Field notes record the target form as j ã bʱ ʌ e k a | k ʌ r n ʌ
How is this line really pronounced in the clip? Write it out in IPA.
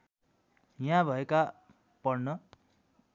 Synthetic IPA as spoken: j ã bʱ ʌ e k a | p ʌ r n ʌ